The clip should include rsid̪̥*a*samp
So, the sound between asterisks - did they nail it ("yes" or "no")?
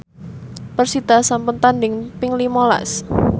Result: yes